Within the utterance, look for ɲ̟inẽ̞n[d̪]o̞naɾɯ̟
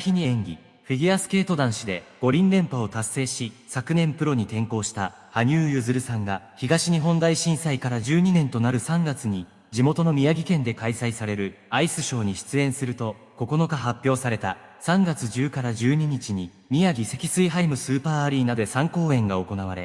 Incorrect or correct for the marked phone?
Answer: incorrect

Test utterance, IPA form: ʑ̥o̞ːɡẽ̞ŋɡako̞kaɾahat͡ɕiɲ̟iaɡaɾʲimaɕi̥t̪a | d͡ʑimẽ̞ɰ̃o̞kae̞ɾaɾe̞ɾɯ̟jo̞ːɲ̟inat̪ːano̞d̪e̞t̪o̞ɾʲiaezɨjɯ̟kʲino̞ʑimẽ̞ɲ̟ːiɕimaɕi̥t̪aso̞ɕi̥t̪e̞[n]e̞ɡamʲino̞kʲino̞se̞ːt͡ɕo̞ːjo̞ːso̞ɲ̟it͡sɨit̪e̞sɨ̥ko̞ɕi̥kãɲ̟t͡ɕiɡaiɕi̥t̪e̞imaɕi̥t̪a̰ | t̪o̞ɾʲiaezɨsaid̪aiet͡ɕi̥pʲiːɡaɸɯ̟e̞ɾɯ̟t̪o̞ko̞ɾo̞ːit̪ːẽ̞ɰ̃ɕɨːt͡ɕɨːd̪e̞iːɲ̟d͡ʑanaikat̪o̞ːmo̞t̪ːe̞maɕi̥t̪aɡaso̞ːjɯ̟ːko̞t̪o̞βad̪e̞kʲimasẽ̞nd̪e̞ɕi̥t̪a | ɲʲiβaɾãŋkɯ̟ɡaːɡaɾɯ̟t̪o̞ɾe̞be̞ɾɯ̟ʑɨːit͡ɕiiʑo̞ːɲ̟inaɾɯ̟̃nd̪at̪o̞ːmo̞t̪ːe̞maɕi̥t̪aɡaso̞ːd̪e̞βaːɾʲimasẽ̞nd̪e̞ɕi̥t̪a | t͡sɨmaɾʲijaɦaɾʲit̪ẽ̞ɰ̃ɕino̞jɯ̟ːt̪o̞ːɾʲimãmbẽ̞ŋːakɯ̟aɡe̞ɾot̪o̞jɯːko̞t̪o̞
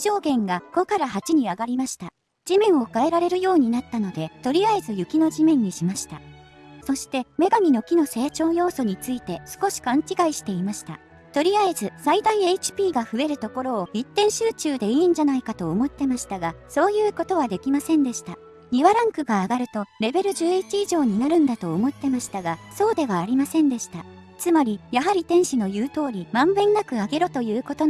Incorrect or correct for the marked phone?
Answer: incorrect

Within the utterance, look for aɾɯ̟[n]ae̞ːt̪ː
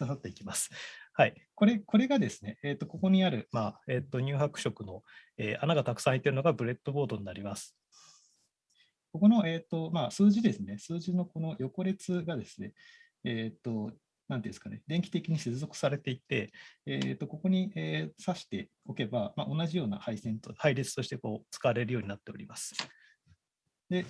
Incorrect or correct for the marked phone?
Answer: incorrect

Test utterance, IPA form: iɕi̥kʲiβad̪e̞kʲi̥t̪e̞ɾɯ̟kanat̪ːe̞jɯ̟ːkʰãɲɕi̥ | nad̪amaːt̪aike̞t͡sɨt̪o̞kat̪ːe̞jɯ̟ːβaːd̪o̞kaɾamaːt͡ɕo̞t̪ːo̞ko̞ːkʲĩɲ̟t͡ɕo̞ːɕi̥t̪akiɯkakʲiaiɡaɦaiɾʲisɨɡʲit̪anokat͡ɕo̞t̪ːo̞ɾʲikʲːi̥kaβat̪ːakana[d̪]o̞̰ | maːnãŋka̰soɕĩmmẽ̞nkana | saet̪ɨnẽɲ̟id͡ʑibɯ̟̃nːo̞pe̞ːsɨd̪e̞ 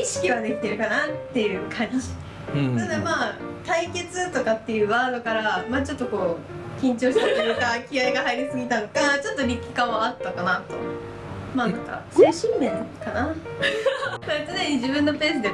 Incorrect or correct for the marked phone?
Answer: incorrect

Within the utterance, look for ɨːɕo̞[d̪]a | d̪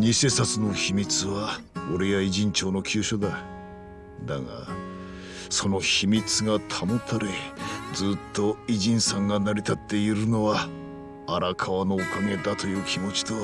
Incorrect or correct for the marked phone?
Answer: correct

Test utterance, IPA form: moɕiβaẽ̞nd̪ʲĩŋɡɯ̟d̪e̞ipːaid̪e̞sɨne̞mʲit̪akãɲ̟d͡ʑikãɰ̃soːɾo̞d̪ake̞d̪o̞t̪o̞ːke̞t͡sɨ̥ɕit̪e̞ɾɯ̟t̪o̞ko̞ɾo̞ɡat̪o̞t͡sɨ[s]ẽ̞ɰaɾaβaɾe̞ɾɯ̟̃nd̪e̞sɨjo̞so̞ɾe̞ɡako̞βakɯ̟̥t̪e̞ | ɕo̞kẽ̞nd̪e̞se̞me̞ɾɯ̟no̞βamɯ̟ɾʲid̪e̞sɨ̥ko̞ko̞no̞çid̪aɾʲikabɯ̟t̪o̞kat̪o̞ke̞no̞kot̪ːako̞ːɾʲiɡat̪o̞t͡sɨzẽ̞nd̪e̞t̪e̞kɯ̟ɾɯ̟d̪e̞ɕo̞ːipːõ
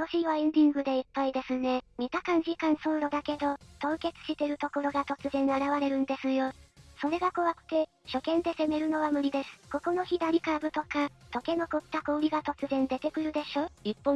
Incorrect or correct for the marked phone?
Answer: incorrect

